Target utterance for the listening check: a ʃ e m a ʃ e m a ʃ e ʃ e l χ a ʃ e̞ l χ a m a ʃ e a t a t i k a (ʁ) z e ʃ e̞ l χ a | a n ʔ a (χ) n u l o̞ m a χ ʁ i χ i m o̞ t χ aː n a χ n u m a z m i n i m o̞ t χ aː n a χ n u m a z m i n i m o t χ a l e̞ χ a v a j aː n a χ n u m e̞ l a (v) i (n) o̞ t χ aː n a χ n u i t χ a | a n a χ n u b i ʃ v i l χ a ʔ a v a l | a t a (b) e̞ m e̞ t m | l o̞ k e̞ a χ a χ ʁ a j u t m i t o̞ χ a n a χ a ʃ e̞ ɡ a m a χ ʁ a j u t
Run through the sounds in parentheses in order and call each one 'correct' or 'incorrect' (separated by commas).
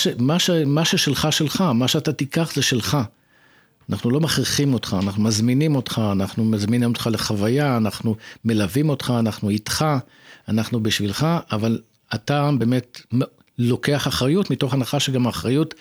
incorrect, correct, correct, incorrect, correct